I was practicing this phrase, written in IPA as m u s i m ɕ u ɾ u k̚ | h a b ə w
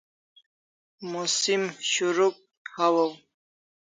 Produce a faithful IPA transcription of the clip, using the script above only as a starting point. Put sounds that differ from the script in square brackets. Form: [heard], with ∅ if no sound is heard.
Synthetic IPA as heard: m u s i m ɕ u ɾ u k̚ | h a [w] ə w